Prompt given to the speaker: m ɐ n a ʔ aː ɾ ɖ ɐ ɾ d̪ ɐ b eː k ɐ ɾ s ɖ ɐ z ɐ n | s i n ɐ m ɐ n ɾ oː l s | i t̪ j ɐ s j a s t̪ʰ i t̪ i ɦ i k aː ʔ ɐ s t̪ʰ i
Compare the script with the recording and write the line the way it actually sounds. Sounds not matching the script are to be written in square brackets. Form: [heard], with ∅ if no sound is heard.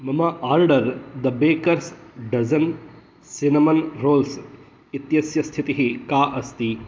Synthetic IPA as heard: m ɐ [m] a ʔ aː ɾ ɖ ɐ ɾ d̪ ɐ b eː k ɐ ɾ s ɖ ɐ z ɐ n | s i n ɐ m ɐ n ɾ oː l s | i t̪ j ɐ s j [ɐ] s t̪ʰ i t̪ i ɦ i k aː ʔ ɐ s [t̪] i